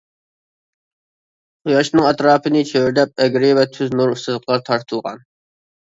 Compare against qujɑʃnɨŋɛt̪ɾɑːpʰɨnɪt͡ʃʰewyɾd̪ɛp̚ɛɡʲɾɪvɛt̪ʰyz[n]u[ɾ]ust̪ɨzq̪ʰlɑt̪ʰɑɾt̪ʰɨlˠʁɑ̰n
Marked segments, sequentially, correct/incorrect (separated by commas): correct, correct